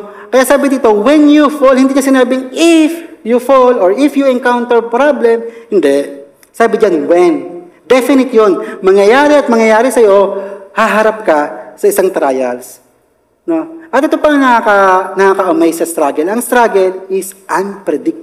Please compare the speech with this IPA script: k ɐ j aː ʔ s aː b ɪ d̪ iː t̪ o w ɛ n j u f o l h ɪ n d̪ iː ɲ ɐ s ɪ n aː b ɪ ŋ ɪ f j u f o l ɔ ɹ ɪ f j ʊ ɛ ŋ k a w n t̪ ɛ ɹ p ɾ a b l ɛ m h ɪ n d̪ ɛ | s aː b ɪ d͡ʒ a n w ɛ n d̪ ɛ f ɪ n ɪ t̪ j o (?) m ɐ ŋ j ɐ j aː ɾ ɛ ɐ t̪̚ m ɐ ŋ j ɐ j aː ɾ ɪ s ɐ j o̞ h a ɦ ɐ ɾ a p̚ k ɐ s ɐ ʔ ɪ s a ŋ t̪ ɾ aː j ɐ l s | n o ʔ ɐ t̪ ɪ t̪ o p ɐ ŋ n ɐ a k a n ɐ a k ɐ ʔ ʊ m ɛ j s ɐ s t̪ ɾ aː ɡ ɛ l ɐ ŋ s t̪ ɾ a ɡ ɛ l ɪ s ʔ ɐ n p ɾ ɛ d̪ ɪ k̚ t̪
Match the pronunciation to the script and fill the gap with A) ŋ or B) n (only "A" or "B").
B